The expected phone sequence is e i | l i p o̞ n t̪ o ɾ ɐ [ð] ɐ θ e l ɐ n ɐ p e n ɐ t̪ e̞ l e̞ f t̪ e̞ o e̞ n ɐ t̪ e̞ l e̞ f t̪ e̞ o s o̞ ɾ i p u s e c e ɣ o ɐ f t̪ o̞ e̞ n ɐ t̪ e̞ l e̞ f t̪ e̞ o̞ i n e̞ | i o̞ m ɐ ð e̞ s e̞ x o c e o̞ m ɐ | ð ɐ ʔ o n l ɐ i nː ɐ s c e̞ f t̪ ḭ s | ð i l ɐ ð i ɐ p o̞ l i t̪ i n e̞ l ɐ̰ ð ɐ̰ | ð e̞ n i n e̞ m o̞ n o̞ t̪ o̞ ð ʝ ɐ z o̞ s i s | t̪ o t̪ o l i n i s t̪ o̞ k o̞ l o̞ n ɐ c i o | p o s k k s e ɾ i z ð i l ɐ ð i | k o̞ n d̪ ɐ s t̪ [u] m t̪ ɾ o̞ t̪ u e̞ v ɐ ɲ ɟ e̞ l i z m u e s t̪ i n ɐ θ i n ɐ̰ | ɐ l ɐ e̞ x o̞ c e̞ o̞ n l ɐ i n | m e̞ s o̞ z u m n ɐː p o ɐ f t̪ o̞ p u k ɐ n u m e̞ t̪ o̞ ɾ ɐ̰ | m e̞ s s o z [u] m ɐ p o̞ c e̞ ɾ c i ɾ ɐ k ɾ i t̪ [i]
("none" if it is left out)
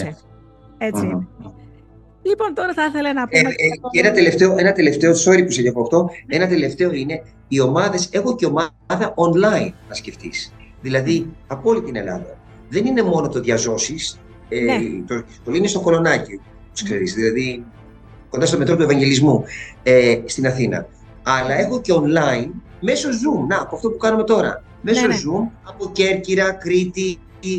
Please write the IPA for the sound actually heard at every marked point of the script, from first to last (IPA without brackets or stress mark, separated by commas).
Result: θ, o, u, i